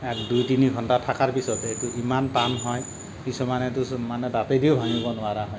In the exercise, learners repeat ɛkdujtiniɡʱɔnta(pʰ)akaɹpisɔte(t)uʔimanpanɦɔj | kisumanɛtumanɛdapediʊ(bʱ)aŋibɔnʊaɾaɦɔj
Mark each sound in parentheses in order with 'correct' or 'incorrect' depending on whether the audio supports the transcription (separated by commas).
incorrect, correct, correct